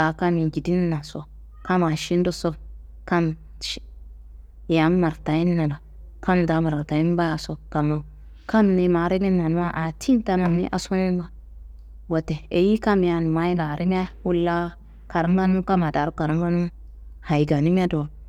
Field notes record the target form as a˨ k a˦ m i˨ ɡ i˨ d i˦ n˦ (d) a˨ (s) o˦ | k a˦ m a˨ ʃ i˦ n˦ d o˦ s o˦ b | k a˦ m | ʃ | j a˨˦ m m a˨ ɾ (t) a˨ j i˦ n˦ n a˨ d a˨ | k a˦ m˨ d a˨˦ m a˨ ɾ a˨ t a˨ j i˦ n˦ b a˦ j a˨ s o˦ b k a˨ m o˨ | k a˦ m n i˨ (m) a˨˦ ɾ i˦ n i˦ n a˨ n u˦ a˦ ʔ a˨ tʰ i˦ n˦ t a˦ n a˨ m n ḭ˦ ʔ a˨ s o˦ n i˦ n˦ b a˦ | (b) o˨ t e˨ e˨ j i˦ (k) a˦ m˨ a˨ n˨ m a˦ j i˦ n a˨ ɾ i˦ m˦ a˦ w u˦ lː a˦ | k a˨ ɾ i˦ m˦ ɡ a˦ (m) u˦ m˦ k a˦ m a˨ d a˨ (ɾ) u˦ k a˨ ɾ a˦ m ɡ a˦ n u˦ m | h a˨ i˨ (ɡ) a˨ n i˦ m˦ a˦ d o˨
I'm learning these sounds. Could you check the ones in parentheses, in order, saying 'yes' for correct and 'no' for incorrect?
no, yes, yes, yes, no, yes, no, yes, yes

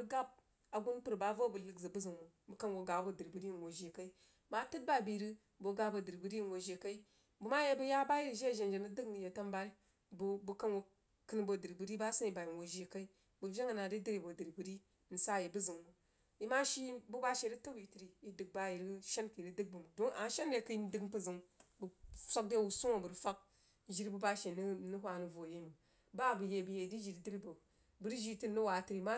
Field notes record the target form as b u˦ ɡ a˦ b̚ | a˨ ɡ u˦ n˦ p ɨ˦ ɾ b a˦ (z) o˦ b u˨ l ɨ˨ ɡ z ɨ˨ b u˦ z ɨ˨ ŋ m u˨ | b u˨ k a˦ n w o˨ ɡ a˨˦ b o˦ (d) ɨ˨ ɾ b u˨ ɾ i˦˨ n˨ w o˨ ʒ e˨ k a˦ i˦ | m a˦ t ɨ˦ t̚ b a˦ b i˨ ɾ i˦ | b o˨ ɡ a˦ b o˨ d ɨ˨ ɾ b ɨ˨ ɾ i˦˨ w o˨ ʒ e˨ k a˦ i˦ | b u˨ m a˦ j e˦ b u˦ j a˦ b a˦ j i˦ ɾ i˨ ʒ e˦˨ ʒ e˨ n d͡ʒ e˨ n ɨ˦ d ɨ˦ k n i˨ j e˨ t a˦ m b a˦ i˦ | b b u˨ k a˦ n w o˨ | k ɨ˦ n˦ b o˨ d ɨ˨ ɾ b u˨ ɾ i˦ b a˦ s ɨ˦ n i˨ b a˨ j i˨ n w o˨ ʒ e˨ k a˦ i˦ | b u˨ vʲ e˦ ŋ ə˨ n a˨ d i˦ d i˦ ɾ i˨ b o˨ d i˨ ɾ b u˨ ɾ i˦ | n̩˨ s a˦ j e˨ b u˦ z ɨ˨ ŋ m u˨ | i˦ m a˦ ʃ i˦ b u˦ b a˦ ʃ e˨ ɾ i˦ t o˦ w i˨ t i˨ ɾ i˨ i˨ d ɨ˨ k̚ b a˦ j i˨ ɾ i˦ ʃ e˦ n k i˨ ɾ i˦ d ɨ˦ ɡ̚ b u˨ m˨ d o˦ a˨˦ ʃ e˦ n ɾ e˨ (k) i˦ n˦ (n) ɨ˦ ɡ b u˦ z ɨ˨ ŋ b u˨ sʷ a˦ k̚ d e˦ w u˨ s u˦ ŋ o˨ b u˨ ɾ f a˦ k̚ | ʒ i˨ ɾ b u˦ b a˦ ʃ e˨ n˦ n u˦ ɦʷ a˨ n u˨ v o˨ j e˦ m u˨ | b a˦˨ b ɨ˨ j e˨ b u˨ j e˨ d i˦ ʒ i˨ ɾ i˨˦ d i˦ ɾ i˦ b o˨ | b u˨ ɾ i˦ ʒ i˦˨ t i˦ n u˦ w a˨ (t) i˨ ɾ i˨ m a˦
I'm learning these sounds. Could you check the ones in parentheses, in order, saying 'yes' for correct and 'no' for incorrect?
no, yes, yes, no, yes

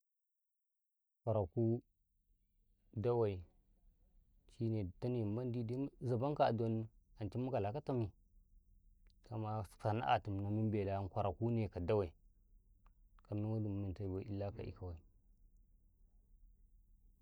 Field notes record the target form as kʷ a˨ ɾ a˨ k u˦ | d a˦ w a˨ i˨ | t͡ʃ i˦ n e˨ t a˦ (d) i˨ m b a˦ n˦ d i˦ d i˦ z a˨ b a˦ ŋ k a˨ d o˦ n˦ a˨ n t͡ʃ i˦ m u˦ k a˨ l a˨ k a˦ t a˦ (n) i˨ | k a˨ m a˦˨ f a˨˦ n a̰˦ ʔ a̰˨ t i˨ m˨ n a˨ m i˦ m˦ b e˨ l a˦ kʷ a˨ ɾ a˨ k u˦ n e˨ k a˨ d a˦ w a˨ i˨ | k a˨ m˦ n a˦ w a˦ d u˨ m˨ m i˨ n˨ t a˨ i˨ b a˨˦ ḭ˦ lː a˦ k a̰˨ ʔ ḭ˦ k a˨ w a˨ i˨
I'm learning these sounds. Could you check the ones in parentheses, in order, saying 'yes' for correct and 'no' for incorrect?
no, no

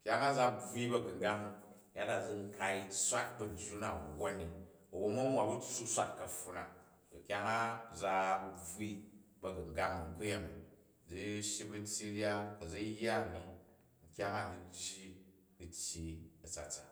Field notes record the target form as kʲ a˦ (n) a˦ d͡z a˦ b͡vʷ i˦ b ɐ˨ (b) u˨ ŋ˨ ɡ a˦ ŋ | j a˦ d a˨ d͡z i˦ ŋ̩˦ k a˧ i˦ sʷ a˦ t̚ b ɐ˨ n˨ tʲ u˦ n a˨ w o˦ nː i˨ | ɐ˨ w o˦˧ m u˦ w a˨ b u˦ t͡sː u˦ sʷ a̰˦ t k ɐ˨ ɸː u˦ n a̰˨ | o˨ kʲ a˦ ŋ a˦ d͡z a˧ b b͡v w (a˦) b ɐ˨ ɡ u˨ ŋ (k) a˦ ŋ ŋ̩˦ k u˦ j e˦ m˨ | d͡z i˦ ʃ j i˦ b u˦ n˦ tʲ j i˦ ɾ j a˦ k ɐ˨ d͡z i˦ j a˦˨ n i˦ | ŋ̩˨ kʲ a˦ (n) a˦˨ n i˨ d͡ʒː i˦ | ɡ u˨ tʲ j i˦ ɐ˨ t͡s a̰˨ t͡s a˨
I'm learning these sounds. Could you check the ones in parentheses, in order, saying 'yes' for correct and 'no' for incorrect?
no, no, no, no, no

